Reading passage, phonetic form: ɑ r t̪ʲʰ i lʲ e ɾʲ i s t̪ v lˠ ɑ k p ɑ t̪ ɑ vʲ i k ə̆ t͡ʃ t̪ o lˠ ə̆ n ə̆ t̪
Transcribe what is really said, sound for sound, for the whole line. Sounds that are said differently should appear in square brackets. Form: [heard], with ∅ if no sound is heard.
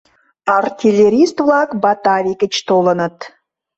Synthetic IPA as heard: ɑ r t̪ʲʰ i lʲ e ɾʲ i s t̪ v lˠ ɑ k [b] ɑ t̪ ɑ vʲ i k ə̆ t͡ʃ t̪ o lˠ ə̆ n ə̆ t̪

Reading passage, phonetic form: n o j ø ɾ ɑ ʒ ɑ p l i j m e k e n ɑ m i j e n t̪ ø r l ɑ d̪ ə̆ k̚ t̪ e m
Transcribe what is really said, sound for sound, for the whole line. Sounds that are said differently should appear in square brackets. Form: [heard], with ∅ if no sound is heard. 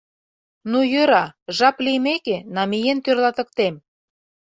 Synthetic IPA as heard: n [u] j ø ɾ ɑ ʒ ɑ p l i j m e k e n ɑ m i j e n t̪ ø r l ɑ [t̪] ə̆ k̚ t̪ e m

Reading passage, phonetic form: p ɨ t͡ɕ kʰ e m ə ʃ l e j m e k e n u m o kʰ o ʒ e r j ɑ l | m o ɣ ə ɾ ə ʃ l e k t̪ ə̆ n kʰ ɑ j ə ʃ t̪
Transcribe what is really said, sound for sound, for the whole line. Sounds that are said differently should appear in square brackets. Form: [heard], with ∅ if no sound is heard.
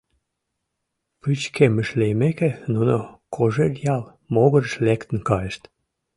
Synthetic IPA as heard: p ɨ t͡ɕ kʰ e m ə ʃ l e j m e k e n u [n] o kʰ o ʒ e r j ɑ l | m o ɣ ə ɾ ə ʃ l e k t̪ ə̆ n [k] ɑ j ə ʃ t̪

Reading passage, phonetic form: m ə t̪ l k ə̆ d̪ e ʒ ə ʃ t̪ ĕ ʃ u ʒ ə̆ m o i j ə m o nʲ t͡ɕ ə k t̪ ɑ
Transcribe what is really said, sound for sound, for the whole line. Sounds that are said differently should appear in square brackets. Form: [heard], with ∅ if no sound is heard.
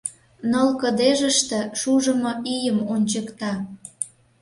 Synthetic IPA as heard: [n] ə [∅] l k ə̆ d̪ e ʒ ə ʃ t̪ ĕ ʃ u ʒ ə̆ m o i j ə m o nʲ t͡ɕ ə k t̪ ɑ

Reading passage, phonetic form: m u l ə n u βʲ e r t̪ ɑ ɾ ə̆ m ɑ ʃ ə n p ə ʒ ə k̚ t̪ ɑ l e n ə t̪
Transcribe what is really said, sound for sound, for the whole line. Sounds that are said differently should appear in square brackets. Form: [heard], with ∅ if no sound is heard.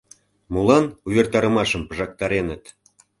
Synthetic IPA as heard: m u l [ɑ] n u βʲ e r t̪ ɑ ɾ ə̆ m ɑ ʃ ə [m] p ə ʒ [ɑ] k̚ t̪ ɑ [ɾ] e n ə t̪

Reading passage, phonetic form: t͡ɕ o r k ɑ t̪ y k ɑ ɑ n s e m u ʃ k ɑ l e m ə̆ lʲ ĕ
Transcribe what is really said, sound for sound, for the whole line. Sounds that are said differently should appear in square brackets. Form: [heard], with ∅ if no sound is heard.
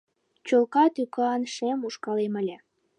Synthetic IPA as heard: t͡ɕ o [l] k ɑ t̪ y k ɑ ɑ n [ʃ] e m u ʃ k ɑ l e m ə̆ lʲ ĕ

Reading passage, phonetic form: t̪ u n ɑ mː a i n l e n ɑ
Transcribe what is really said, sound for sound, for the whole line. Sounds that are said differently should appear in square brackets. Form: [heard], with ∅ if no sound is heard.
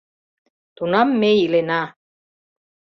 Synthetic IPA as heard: t̪ u n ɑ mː [e] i [∅] l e n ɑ

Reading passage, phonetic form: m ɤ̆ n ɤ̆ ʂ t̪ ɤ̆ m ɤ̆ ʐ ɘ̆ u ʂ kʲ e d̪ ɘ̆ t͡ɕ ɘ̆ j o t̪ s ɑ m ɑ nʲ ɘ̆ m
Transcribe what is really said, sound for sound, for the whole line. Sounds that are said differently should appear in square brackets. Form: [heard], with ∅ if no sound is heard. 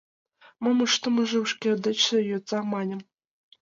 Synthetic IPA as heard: m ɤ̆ [m] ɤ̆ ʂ t̪ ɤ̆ m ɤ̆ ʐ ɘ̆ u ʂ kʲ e d̪ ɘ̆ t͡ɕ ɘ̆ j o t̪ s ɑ m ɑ nʲ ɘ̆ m

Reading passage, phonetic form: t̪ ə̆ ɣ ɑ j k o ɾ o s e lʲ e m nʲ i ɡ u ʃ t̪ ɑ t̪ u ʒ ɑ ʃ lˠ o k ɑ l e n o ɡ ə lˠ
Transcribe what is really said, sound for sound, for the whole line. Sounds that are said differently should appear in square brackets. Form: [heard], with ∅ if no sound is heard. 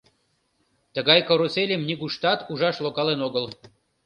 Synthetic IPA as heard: t̪ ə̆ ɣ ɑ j k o ɾ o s e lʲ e m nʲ i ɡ u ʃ t̪ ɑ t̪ u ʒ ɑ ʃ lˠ o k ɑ l e n o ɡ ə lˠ

